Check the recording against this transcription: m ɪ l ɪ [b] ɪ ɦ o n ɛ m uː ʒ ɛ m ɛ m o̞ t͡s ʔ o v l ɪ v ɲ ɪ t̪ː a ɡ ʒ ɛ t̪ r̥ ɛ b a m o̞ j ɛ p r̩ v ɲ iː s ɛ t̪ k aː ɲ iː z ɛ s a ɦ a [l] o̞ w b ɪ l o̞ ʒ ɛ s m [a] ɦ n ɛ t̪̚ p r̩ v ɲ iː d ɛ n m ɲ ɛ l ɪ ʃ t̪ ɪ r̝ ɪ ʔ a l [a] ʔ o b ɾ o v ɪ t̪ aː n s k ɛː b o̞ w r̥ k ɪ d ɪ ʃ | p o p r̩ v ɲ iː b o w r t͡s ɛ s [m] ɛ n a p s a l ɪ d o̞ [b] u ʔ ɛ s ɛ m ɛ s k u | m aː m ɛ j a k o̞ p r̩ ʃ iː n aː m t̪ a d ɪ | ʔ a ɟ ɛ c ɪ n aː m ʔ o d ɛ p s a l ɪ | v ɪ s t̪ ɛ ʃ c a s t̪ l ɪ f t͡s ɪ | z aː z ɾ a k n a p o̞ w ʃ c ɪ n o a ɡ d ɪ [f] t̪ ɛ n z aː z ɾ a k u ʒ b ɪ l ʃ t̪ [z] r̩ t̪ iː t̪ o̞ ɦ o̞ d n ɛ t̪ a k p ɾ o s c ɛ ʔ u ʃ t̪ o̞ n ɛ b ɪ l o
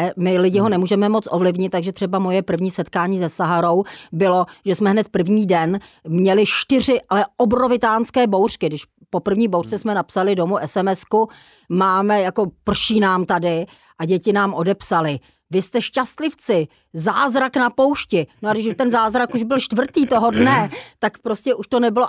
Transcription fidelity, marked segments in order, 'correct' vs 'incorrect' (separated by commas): incorrect, incorrect, incorrect, incorrect, correct, incorrect, incorrect, incorrect